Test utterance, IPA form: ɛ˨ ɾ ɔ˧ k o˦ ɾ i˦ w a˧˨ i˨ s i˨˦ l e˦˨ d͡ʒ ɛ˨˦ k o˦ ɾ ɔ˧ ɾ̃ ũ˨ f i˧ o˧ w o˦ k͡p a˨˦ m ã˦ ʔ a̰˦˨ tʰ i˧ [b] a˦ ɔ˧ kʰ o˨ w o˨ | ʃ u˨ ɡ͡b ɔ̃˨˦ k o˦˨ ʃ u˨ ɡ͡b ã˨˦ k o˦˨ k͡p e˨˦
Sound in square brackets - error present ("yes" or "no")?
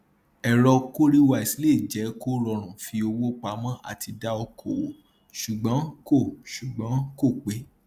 yes